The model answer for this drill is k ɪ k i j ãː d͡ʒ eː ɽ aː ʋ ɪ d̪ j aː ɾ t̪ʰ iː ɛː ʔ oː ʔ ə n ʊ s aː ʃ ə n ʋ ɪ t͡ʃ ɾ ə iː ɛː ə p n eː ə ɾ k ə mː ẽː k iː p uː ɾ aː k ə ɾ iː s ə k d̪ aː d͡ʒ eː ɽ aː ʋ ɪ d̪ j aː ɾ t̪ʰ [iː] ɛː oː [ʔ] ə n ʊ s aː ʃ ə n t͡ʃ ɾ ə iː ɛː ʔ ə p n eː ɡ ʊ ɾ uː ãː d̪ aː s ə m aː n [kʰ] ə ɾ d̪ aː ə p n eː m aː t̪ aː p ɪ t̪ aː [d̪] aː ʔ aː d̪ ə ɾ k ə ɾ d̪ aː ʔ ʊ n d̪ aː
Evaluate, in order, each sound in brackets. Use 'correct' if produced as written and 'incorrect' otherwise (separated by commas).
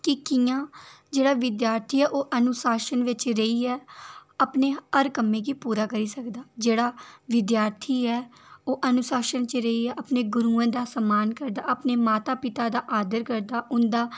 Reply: correct, correct, incorrect, correct